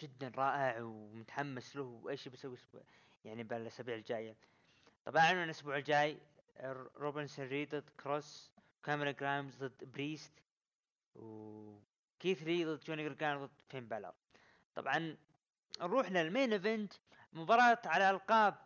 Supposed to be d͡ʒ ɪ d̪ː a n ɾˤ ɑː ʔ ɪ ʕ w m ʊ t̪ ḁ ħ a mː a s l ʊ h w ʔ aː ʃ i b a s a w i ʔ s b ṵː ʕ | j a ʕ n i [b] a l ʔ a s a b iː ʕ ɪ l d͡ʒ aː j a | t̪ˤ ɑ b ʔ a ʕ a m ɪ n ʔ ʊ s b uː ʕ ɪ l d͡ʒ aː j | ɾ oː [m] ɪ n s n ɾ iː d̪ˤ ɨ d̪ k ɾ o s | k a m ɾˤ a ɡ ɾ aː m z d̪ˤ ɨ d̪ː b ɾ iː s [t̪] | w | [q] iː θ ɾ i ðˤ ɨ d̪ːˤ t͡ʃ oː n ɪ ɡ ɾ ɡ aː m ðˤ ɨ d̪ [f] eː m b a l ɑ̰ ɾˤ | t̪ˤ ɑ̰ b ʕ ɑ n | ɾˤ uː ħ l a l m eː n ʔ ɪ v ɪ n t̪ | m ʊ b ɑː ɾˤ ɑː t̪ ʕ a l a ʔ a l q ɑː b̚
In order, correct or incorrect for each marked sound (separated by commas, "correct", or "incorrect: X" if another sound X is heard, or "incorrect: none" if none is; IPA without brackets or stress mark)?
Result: correct, incorrect: b, correct, incorrect: k, correct